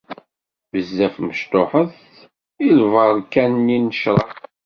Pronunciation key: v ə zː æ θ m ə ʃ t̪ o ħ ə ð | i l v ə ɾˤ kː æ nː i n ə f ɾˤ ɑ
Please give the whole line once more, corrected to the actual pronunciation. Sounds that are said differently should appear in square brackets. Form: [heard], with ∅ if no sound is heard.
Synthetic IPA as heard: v ə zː æ [f] m ə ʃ t̪ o ħ ə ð | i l v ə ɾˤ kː æ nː i n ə [ʃ] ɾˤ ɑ